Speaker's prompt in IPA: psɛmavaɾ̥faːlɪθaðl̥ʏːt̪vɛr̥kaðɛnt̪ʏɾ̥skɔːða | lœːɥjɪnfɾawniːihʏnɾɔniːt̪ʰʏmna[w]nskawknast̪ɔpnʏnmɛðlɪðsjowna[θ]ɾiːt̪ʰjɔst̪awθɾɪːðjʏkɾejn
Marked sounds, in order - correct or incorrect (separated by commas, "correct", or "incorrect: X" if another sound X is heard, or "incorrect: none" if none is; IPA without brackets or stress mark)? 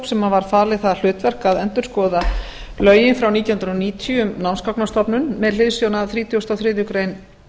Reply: correct, correct